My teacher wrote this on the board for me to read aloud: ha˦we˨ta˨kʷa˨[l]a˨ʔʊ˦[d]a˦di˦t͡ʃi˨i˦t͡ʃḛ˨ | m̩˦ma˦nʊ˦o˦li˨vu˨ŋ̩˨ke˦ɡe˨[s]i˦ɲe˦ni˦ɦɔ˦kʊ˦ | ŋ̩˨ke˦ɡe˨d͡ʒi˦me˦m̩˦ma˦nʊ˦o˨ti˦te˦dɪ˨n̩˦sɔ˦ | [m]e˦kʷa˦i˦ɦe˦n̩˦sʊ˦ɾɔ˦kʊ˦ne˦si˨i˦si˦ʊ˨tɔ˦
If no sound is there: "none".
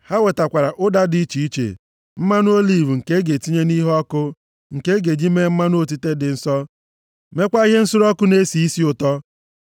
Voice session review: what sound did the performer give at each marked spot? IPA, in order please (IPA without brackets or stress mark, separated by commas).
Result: ɾ, d, t, m